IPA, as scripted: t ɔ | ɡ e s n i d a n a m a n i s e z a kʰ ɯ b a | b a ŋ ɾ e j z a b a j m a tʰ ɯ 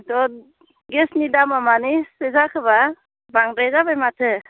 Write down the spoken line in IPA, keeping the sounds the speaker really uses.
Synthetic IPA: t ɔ | ɡ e s n i d a m a m a n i s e z a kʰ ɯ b a | b a ŋ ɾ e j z a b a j m a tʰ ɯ

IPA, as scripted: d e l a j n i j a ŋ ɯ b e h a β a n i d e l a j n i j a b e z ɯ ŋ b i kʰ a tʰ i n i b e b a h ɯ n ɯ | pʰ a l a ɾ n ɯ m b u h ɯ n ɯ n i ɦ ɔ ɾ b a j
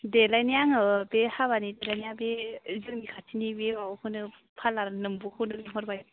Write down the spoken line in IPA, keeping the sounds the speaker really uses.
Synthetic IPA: d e l a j n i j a ŋ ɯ b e h a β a n i d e l a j n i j a b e z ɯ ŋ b i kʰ a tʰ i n i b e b a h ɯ n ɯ | pʰ a l a ɾ n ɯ m b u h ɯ n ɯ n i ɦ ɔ ɾ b a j

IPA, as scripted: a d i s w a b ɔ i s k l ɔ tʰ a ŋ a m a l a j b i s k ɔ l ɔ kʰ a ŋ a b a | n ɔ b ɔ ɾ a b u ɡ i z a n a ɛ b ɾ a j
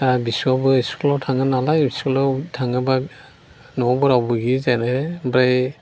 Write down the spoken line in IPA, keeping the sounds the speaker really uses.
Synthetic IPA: a b i s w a b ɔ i s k l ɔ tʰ a ŋ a n a l a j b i s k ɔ l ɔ tʰ a ŋ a b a | n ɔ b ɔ ɾ a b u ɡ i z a n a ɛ b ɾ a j

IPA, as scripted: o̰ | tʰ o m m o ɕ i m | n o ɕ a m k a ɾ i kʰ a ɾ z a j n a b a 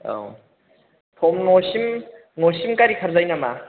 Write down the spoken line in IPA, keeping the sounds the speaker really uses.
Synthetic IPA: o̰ | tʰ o m n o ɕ i m | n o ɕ i m k a ɾ i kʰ a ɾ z a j n a m a

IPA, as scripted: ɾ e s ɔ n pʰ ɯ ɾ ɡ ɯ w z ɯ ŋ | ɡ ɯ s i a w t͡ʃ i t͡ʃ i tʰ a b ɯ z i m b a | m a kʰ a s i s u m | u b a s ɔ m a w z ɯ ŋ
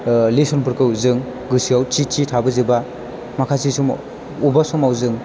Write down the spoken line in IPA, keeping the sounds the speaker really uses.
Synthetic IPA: l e s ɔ n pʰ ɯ ɾ k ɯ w z ɯ ŋ | ɡ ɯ s i a w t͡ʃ i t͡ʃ i tʰ a b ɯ z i b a | m a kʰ a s i s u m | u b a s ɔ m a w z ɯ ŋ

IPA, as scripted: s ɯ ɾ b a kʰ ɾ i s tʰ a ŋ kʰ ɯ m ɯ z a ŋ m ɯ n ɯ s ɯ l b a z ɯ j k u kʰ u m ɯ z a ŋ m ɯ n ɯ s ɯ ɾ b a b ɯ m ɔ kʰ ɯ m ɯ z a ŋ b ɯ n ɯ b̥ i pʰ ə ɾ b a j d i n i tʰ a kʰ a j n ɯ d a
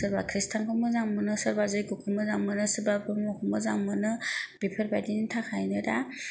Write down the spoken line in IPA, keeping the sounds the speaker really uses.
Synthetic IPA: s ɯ ɾ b a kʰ ɾ i s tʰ a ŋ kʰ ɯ m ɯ z a ŋ m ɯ n ɯ s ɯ ɾ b a z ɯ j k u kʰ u m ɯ z a ŋ m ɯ n ɯ s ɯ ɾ b a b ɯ m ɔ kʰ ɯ m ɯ z a ŋ m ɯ n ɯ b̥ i pʰ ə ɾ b a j d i n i tʰ a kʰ a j n ɯ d a

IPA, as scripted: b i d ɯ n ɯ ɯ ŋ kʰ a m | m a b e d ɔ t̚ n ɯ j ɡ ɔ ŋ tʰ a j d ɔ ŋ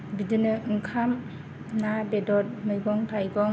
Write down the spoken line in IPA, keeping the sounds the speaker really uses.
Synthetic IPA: b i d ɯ n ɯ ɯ ŋ kʰ a m | n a b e d ɔ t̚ m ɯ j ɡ ɔ ŋ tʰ a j ɡ ɔ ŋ

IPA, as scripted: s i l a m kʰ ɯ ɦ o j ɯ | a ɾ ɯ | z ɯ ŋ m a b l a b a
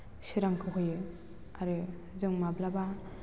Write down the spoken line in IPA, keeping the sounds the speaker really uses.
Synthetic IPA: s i ɾ a ŋ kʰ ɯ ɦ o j ɯ | a ɾ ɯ | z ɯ ŋ m a b l a b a

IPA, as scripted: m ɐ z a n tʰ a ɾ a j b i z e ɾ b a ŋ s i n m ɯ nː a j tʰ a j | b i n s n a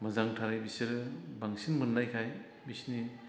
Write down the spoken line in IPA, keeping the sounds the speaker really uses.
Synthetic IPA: m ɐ z a ŋ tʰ a ɾ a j b i s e ɾ b a ŋ s i n m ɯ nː a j kʰ a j | b i s n i

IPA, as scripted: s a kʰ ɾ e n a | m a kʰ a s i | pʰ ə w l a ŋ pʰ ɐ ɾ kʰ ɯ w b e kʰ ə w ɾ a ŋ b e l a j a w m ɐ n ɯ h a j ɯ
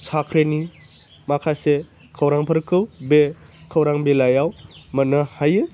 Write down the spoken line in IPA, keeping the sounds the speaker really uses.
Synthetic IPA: s a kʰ ɾ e n i | m a kʰ a s e | kʰ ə w ɾ a ŋ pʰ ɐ ɾ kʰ ɯ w b e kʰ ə w ɾ a ŋ b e l a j a w m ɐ n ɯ h a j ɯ

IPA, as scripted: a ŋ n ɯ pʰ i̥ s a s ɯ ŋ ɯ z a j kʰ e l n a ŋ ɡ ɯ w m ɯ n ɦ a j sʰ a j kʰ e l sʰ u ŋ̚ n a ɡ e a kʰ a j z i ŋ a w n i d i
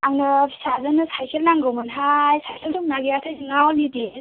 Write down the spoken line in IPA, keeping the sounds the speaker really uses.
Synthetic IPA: a ŋ n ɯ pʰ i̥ s a z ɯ n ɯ s a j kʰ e l n a ŋ ɡ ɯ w m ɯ n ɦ a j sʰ a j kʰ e l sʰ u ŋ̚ n a ɡ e a tʰ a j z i ŋ a w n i d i

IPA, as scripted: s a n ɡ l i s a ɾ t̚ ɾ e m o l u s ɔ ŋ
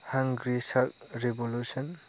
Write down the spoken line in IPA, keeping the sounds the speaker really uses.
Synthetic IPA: h a ŋ ɡ ɾ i s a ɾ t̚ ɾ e b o l u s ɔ n

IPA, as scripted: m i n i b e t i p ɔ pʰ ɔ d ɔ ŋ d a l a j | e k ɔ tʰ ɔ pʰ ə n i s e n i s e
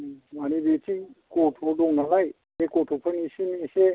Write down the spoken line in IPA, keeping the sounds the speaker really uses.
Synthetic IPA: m a n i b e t i k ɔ tʰ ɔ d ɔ ŋ n a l a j | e k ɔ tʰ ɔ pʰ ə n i s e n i s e

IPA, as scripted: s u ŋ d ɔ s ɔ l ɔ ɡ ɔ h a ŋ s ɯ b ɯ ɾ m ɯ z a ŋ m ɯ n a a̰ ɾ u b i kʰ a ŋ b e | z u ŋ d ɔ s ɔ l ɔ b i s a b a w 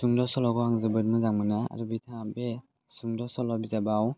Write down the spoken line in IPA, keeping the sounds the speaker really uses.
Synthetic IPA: s u ŋ d ɔ s ɔ l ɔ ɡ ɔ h a ŋ z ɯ b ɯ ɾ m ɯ z a ŋ m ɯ n a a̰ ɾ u b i tʰ a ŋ b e | s u ŋ d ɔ s ɔ l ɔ b i z a b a w

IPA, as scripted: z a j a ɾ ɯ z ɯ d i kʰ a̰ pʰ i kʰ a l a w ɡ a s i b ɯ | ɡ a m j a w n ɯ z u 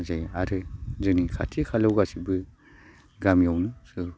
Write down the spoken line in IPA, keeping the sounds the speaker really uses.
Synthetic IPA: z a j a ɾ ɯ z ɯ n i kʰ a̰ tʰ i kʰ a l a w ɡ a s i b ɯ | ɡ a m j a w n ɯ s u

